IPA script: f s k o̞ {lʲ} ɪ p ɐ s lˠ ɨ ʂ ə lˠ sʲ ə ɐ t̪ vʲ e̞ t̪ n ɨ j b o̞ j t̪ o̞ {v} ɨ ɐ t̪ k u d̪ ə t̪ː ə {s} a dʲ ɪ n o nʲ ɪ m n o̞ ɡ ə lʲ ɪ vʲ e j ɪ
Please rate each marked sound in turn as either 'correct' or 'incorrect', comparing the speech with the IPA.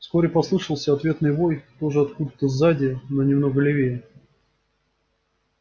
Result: incorrect: ɾʲ, incorrect: ʐ, incorrect: z

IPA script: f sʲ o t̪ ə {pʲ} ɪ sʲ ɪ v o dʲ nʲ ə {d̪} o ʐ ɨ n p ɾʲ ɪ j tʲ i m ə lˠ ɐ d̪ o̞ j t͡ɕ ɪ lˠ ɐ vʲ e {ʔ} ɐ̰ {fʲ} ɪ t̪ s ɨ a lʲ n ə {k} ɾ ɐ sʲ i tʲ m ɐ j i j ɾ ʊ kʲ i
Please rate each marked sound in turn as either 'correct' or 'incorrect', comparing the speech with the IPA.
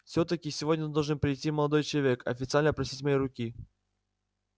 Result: incorrect: kʲ, correct, incorrect: k, correct, incorrect: p

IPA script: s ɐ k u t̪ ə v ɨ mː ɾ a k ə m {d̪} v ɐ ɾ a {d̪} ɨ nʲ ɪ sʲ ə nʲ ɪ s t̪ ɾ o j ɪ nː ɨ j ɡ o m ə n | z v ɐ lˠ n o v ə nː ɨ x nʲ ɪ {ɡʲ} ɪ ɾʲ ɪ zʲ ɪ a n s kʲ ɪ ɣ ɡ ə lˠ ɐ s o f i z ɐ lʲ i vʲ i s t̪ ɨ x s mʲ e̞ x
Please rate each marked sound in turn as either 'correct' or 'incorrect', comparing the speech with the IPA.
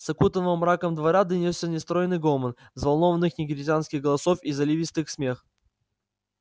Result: correct, correct, correct

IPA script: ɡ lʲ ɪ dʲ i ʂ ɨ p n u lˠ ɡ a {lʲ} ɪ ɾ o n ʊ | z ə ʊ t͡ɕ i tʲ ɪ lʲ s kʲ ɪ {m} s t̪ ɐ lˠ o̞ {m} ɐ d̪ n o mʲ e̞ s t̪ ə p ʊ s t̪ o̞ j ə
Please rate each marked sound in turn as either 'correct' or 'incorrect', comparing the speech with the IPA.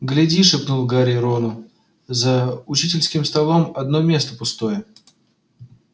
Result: incorrect: ɾʲ, correct, correct

